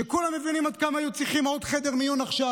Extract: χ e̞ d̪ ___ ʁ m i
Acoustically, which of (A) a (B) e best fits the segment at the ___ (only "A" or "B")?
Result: B